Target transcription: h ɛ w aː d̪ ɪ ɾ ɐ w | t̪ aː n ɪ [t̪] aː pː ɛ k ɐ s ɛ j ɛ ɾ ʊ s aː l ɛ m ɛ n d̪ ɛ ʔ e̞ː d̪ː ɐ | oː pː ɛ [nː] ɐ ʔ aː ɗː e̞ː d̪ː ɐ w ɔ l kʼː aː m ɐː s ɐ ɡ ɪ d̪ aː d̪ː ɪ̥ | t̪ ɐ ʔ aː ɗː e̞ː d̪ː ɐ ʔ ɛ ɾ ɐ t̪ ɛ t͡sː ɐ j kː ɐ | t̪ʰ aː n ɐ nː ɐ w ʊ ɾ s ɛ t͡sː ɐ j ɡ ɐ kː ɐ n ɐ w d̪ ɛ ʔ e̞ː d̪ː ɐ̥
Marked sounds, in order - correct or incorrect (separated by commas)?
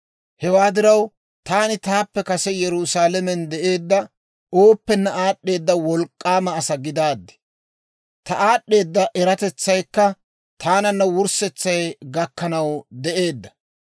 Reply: correct, correct